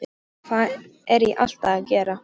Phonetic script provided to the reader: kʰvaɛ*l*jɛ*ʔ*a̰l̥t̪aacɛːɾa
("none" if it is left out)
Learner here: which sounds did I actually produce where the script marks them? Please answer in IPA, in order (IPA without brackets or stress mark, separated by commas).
ɾ, ʔ